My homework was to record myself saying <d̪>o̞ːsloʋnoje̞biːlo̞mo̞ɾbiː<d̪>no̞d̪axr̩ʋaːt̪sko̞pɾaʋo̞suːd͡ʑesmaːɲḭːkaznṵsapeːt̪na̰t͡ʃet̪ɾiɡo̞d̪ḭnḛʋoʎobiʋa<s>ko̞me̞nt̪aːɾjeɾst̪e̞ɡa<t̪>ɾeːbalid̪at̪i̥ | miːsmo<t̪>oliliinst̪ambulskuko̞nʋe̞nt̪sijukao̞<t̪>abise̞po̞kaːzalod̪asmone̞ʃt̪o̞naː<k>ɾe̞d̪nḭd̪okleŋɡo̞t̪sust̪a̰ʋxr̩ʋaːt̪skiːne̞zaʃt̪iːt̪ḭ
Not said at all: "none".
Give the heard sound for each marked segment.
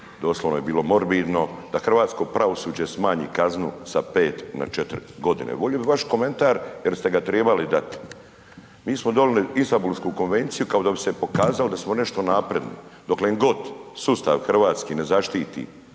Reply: d̪, d̪, ʃ, t̪, d̪, d̪, p

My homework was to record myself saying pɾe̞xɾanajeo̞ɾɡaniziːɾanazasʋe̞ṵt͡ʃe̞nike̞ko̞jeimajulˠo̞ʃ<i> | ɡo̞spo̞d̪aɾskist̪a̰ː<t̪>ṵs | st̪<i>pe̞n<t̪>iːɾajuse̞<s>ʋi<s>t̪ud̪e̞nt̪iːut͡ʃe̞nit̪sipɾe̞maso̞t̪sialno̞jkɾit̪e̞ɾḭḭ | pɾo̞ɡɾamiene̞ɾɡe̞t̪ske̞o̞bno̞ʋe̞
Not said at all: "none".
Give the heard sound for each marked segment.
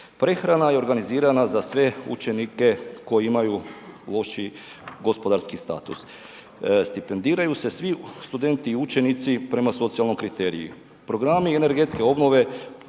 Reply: i, t̪, i, d̪, s, s

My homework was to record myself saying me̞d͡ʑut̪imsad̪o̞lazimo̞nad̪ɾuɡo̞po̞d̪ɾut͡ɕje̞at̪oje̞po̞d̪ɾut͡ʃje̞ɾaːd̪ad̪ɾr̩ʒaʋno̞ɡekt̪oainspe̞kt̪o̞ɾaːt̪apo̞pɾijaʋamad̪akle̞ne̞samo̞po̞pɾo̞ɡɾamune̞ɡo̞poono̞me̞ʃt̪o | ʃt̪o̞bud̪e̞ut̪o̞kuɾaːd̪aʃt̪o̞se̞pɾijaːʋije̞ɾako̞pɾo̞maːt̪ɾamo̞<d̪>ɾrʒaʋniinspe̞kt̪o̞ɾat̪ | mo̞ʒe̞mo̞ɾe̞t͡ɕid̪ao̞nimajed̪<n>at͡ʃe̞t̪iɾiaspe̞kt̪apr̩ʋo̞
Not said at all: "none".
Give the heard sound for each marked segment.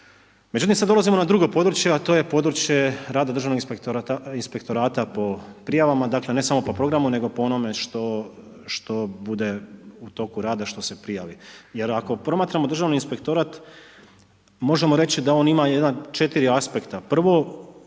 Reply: d̪, n

